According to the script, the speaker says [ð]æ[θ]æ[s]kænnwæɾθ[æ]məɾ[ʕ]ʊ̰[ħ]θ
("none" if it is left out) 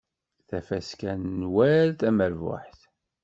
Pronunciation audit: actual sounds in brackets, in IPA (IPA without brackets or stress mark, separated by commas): θ, f, s, æ, v, ħ